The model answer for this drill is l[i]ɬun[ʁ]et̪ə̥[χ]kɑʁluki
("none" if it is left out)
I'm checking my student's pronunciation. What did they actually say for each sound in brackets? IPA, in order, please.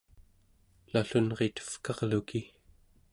a, ʁ, f

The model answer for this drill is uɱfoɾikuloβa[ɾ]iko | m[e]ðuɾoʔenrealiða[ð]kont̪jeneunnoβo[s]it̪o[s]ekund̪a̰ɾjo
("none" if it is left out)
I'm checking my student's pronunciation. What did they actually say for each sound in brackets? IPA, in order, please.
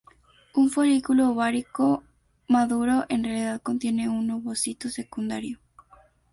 ɾ, a, ð, s, s

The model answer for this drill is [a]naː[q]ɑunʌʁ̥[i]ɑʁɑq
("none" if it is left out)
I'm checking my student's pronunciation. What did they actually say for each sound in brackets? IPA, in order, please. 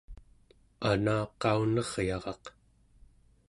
a, q, j

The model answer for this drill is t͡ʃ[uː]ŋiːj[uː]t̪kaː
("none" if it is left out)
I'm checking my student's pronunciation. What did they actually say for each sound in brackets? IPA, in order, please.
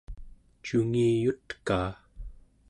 u, u

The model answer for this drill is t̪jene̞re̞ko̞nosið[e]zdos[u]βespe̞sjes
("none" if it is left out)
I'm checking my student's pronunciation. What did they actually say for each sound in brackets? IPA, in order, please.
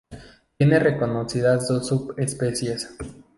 a, u

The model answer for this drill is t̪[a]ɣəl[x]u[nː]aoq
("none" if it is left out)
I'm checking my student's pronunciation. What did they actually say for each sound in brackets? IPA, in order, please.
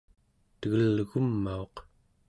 ə, ɣ, mː

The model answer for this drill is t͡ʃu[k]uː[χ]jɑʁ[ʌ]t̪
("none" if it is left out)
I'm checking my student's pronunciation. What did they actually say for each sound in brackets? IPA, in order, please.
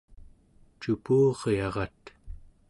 p, ʁ, ɑ

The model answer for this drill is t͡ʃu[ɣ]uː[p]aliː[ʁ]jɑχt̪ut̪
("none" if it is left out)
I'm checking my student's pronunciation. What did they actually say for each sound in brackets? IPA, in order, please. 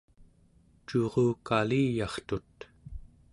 ʁ, k, none

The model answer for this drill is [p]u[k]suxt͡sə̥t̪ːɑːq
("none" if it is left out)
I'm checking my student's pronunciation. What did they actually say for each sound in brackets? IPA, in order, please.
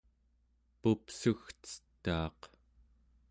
p, p

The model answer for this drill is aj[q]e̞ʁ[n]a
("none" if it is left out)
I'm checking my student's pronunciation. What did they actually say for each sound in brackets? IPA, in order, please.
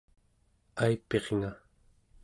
p, ŋ

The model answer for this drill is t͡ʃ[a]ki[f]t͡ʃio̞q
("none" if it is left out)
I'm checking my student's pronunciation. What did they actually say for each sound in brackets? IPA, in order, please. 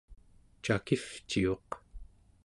a, f

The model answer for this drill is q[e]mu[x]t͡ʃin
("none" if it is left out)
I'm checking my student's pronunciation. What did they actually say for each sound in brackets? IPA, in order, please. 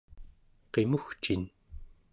e, x

